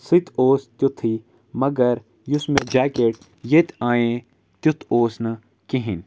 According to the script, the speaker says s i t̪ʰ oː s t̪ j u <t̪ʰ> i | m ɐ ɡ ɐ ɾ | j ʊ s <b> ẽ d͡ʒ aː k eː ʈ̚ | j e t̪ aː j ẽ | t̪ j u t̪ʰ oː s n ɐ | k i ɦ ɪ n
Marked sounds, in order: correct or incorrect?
correct, incorrect

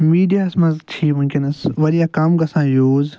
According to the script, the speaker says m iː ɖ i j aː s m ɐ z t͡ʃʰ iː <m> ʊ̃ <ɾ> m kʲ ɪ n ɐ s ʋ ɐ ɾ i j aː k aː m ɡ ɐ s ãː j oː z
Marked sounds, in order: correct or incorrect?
correct, incorrect

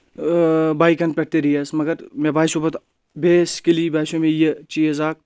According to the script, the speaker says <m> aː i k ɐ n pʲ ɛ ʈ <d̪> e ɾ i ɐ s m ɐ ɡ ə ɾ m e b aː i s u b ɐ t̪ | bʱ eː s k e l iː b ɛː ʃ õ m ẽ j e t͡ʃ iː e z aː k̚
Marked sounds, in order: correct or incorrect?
incorrect, incorrect

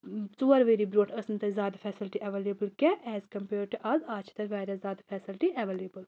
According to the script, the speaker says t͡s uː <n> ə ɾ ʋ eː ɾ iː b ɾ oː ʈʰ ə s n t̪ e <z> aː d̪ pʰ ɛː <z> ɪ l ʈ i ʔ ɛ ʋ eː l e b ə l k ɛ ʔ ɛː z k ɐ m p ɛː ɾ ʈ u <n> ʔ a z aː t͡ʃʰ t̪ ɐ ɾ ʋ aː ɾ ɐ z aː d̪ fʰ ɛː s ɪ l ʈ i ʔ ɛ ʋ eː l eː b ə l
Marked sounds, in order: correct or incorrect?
incorrect, correct, incorrect, incorrect

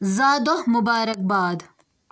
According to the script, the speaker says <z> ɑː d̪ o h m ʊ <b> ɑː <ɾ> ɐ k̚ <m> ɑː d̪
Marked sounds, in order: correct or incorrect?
correct, correct, correct, incorrect

